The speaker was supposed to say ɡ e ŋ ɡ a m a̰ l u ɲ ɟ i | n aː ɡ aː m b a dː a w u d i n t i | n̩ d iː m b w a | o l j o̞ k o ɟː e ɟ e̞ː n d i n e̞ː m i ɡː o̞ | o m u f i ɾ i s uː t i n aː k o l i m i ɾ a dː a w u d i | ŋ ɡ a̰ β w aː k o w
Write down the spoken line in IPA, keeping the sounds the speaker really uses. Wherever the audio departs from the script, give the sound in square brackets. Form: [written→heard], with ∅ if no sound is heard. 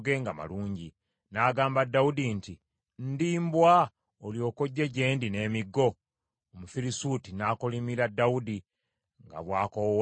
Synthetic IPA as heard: ɡ e ŋ ɡ a m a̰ l [u→uː] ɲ ɟ i | n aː ɡ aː m b a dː a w u d i n t i | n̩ d iː m b w a | o l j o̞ k o ɟː e ɟ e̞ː n d i n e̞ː m i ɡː o̞ | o m u f i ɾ i s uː t i n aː k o l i m i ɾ a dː a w u d i | ŋ ɡ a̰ β w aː k o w

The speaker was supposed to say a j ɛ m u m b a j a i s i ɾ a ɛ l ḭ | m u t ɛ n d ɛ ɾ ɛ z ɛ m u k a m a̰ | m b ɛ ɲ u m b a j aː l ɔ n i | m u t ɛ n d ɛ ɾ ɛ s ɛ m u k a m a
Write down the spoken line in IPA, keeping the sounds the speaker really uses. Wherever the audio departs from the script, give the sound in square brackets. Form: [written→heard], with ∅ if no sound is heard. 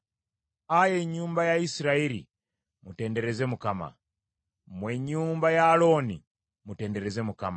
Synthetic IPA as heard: a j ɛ [m→ɲ] u m b a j a i s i ɾ a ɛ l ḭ | m u t ɛ n d ɛ ɾ ɛ z ɛ m u k a m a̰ | m [b→w] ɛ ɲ u m b a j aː l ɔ n i | m u t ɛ n d ɛ ɾ ɛ [s→z] ɛ m u k a m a

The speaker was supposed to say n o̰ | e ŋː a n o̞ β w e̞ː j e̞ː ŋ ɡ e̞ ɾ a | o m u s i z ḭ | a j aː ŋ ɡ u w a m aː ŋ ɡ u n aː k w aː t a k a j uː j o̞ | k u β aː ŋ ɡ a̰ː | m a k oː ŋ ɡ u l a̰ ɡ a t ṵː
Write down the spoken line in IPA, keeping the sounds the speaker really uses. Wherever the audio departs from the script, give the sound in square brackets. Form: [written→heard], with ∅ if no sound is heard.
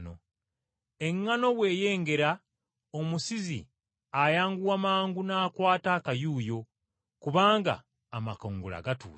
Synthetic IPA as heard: n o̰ | e ŋː a n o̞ β w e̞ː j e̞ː ŋ ɡ e̞ ɾ a | o m u s i z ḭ | a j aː ŋ ɡ u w a m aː ŋ ɡ u n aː k w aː t a k a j uː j o̞ | k u β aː ŋ ɡ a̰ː | m a k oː ŋ ɡ u l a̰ ɡ a t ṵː

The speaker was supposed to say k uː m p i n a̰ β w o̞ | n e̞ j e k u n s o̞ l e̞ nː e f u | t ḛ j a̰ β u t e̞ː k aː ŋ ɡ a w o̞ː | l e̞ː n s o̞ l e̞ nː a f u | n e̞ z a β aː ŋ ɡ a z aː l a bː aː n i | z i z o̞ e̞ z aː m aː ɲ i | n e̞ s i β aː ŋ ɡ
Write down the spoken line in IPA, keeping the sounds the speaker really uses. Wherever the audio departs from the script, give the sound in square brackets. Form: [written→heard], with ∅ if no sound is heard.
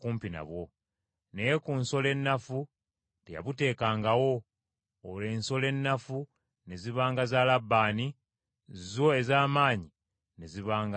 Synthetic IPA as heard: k uː m p i n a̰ β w o̞ | n e̞ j e k u n s o̞ l e̞ nː [e→a] f u | t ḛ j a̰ β u t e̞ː k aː ŋ ɡ a w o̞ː | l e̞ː n s o̞ l e̞ nː a f u | n e̞ z [a→i] β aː ŋ ɡ a z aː l a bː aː n i | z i z o̞ e̞ z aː m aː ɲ i | n e̞ [s→z] i β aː ŋ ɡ

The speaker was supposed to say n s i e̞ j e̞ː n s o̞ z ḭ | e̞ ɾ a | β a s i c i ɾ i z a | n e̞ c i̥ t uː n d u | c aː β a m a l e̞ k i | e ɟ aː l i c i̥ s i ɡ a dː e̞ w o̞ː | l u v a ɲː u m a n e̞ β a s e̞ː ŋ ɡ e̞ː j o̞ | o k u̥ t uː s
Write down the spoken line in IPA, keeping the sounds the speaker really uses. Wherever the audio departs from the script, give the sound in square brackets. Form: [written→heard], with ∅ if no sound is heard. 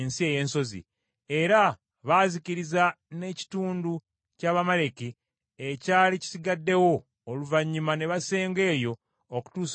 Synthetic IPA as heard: n s i e̞ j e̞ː n s o̞ z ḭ | e̞ ɾ a | β a [s→z] i c i ɾ i z a | n e̞ c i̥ t uː n d u | c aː β a m a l e̞ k i | e [ɟ→c] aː l i c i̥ s i ɡ a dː e̞ w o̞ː | l u v a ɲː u m a n e̞ β a s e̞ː ŋ ɡ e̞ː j o̞ | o k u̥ t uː s

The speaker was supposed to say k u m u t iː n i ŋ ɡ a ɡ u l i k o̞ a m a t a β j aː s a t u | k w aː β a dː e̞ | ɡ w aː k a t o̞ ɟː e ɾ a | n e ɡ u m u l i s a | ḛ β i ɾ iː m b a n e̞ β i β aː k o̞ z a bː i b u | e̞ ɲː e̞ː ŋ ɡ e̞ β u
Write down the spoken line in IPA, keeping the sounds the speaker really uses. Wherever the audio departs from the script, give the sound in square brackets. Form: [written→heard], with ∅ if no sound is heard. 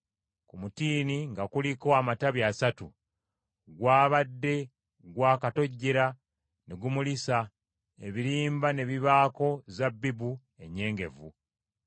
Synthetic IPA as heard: k u m u t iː n i ŋ ɡ a [ɡ→k] u l i k o̞ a m a t a β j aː s a t u | [k→ɡ] w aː β a dː e̞ | ɡ w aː k a t o̞ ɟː e ɾ a | n e ɡ u m u l i s a | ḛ β i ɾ iː m b a n e̞ β i β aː k o̞ z a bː i b u | e̞ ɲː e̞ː ŋ ɡ e̞ [β→v] u

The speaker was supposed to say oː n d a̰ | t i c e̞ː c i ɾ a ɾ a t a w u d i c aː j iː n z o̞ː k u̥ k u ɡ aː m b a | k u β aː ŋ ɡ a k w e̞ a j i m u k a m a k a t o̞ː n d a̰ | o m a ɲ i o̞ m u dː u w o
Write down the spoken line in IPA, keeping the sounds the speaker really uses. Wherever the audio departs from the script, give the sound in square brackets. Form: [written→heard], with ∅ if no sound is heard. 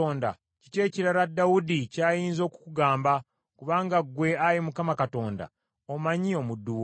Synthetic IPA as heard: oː n d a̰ | [t→c] i c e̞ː c i ɾ a ɾ a [t→d] a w u d i c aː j iː n z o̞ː k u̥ k u ɡ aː m b a | k u β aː ŋ ɡ a [k→ɡ] w e̞ a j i m u k a m a k a t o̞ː n d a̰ | o m a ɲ i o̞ m u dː u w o

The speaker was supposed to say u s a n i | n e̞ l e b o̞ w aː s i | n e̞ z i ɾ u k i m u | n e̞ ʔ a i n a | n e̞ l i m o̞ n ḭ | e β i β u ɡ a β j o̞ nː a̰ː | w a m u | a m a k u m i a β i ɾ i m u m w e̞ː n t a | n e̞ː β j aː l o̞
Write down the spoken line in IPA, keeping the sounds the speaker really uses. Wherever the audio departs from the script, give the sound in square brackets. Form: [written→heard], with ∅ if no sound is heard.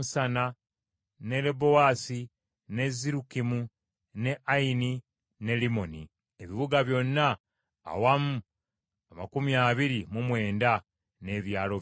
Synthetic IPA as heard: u s a n [i→a] | n e̞ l e b o̞ w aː s i | n e̞ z i ɾ u k i m u | n e̞ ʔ a i n [a→i] | n e̞ l i m o̞ n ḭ | e β i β u ɡ a β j o̞ nː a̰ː | w a m u | a m a k u m i a β i ɾ i m u m w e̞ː n [t→d] a | n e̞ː β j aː l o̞

